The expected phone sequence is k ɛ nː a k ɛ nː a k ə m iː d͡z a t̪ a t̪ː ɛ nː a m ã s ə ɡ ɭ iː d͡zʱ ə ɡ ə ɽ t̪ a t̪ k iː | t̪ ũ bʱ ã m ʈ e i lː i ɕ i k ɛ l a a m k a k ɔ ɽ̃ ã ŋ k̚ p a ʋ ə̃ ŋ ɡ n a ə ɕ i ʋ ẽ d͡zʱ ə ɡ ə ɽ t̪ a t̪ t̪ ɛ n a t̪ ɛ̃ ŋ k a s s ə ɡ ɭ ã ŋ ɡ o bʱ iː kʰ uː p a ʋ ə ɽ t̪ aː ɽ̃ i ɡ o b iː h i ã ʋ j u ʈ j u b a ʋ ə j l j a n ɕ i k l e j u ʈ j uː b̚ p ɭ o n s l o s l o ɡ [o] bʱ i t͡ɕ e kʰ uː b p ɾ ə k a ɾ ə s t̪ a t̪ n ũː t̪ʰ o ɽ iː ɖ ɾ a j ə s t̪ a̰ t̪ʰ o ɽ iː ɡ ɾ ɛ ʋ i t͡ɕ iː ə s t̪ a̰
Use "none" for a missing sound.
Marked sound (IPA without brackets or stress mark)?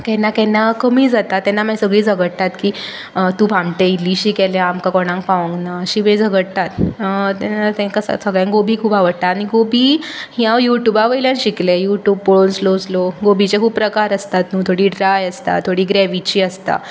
o